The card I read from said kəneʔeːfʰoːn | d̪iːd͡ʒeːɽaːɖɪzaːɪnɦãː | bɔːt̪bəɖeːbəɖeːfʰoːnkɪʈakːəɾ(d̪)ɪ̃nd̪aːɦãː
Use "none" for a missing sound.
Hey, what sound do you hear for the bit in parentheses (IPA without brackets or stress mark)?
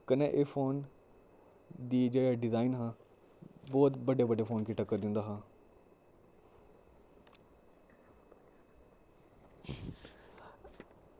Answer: d̪